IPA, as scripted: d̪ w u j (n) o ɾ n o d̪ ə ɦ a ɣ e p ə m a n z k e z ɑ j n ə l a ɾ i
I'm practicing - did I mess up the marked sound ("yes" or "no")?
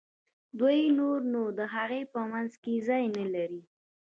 no